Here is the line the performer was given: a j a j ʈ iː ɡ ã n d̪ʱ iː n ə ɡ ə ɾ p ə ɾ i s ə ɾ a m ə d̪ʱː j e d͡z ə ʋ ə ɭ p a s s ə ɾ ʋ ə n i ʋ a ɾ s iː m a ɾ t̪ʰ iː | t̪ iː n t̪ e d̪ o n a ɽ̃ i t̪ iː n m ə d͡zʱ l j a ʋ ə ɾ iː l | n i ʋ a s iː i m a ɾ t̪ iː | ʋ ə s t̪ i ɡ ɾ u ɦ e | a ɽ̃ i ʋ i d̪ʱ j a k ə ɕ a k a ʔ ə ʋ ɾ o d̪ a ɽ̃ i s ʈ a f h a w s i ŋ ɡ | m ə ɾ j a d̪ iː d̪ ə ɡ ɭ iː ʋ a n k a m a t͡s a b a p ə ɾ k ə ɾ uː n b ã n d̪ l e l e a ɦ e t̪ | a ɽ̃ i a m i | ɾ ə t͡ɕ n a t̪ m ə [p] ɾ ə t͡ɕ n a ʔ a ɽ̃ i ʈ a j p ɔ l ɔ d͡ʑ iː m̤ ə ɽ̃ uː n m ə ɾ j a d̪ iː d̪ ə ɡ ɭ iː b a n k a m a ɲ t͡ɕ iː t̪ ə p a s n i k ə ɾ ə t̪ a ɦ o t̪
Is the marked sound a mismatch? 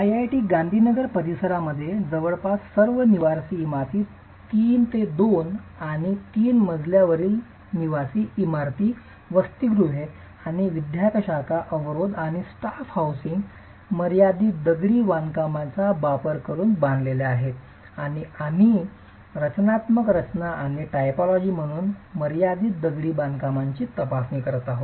yes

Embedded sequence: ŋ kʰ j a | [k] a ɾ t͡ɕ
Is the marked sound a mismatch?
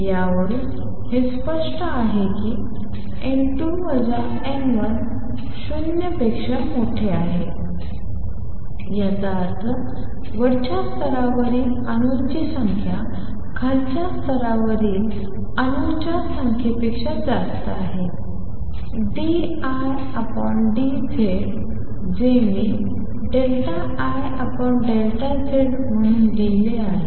yes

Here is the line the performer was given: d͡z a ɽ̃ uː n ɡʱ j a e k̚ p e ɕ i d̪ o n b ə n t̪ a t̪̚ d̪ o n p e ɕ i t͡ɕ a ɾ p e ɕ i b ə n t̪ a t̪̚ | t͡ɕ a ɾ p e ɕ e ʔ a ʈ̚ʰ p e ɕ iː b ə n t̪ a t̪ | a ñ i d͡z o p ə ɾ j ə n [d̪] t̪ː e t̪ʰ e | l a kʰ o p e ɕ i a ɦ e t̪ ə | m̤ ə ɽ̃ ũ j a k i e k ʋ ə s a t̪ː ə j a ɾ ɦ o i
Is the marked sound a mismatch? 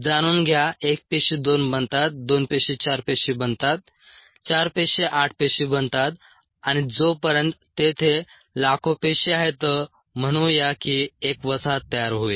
yes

